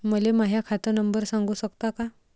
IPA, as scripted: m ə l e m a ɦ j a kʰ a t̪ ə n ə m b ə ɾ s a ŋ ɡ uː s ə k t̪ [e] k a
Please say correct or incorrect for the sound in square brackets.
incorrect